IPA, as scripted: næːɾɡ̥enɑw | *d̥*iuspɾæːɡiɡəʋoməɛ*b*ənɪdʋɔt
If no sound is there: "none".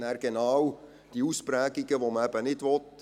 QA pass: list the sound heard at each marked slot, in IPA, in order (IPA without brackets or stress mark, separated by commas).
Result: d̥, b